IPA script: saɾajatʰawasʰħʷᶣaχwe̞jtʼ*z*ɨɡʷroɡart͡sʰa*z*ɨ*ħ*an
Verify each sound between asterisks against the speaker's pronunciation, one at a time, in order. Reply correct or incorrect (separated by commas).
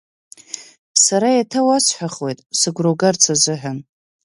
incorrect, correct, correct